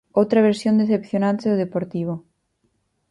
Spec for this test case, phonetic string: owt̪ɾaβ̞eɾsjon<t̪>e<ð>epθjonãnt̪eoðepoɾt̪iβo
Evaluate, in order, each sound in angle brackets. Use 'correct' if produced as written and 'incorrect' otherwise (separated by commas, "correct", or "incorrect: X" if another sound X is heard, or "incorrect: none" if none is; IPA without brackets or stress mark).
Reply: incorrect: d̪, incorrect: θ